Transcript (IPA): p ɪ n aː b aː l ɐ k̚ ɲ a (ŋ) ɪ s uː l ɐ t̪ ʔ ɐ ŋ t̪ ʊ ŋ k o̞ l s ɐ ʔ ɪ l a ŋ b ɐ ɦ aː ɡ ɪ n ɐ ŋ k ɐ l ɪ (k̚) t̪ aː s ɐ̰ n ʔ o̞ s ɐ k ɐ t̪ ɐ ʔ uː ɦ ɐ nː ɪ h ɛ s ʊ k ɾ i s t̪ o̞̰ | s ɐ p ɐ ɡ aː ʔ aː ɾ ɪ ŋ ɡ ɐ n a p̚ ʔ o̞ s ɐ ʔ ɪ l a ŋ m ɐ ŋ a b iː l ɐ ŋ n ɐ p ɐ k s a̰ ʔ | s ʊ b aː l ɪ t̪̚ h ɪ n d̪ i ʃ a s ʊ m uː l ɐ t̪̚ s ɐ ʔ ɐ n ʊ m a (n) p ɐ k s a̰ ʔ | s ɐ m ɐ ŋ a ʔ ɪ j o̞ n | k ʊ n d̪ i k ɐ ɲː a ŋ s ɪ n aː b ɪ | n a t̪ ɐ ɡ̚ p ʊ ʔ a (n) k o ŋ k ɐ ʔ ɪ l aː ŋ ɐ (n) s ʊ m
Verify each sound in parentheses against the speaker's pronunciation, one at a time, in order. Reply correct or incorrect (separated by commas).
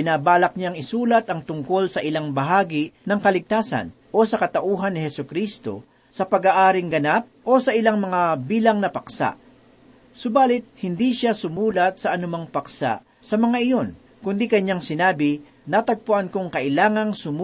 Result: correct, incorrect, incorrect, correct, incorrect